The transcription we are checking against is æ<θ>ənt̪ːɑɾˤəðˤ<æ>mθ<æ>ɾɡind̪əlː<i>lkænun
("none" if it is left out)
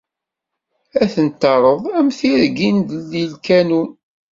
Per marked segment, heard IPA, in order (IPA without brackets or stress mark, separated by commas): θ, æ, i, i